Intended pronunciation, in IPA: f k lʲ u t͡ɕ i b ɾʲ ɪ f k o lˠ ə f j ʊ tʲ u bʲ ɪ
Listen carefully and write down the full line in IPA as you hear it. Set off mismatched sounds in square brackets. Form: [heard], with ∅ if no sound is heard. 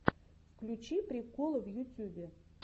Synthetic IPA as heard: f k lʲ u t͡ɕ i [p] ɾʲ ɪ [∅] k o lˠ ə [v] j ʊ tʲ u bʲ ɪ